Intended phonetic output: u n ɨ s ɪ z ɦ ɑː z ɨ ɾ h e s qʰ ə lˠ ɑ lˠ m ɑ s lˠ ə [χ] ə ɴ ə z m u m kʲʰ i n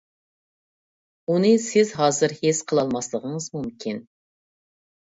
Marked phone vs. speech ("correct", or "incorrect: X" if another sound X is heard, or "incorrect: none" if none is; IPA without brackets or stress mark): incorrect: ʁ